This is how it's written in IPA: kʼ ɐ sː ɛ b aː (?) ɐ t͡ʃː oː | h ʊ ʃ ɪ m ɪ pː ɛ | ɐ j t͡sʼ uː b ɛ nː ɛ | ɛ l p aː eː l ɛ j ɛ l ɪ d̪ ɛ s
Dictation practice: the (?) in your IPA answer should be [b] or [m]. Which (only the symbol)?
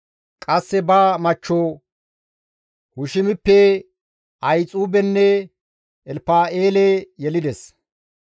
m